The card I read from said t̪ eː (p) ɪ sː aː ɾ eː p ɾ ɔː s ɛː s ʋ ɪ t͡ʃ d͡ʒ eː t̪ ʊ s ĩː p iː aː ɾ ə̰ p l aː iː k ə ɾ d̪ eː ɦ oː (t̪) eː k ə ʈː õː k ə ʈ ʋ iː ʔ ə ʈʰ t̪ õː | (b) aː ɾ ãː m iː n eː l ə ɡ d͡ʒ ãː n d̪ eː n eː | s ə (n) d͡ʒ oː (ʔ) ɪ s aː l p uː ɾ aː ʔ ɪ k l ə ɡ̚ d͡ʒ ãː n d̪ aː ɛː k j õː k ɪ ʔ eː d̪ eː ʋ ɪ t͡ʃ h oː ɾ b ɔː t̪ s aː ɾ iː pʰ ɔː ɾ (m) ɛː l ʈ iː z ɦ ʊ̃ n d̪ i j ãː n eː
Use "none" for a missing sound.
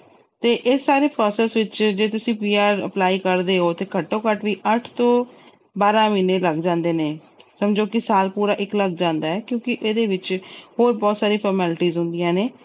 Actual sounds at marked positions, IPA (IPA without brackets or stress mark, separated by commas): ʔ, t̪, b, m, k, m